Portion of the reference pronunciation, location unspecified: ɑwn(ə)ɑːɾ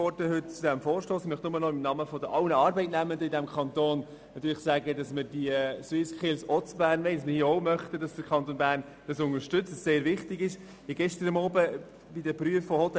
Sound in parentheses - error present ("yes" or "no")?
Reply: no